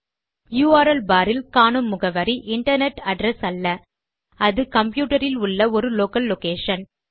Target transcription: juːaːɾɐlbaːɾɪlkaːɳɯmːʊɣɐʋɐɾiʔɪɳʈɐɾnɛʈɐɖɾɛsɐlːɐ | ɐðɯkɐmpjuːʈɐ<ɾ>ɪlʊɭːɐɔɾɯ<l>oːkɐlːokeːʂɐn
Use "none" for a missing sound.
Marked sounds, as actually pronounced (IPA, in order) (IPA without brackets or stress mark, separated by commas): ɾ, l